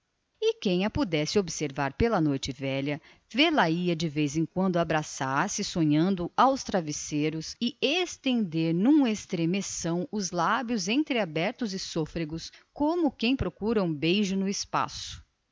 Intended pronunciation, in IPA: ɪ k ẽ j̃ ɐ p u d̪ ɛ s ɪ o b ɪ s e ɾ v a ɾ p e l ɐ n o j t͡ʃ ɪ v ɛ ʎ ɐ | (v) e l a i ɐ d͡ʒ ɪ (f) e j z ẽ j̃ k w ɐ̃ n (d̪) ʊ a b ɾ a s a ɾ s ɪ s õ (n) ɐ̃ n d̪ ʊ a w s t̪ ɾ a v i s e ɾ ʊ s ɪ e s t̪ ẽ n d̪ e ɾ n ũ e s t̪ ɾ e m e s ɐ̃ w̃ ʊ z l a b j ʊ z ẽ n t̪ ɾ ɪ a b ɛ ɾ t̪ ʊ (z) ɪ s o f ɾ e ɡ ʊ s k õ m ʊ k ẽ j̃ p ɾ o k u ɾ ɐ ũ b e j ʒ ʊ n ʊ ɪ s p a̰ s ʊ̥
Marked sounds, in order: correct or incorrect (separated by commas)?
correct, incorrect, correct, incorrect, correct